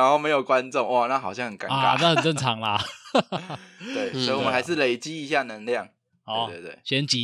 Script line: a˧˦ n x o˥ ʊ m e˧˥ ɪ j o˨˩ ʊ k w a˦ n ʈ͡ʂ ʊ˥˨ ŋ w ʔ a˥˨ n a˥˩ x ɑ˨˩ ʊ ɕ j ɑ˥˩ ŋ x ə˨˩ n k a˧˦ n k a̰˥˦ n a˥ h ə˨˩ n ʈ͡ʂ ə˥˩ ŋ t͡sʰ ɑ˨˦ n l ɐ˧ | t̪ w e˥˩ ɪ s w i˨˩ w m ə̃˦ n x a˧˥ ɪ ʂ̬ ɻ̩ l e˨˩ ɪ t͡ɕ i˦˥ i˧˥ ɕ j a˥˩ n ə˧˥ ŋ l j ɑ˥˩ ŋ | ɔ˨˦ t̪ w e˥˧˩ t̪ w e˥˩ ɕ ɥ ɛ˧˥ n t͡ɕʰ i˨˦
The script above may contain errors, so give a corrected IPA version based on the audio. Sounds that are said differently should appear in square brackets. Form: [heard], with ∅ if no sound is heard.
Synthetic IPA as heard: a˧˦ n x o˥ ʊ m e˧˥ ɪ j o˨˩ ʊ k w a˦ n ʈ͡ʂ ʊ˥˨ ŋ w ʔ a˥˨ n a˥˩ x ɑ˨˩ ʊ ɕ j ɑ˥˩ ŋ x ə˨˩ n k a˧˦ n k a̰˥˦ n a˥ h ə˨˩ n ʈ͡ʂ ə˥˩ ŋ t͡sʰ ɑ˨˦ [ŋ] l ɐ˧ | t̪ w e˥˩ ɪ s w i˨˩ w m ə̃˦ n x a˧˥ ɪ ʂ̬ ɻ̩ l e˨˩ ɪ t͡ɕ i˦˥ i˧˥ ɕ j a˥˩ n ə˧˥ ŋ l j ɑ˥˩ ŋ | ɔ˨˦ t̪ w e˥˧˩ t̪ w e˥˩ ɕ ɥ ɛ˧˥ n [t͡ɕ] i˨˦